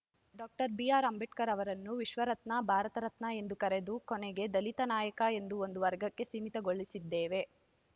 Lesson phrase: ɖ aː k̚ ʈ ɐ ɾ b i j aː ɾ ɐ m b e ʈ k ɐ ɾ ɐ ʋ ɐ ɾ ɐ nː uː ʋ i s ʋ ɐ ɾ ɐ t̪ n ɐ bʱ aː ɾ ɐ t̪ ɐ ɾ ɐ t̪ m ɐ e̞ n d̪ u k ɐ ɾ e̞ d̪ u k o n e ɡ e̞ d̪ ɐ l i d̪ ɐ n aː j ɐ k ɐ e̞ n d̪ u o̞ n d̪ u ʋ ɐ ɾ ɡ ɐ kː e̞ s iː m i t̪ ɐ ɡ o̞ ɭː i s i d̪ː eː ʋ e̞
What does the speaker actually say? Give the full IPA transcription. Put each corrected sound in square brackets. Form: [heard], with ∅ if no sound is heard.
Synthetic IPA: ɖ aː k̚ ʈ ɐ ɾ b i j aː ɾ ɐ m b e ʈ k ɐ ɾ ɐ ʋ ɐ ɾ ɐ nː [u] ʋ i [ʃ] ʋ ɐ ɾ ɐ t̪ n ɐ bʱ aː ɾ ɐ t̪ ɐ ɾ ɐ t̪ [n] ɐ e̞ n d̪ u k ɐ ɾ e̞ d̪ u k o n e ɡ e̞ d̪ ɐ l i [t̪] ɐ n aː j ɐ k ɐ e̞ n d̪ u o̞ n d̪ u ʋ ɐ ɾ ɡ ɐ kː e̞ s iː m i t̪ ɐ ɡ o̞ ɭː i s i d̪ː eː ʋ e̞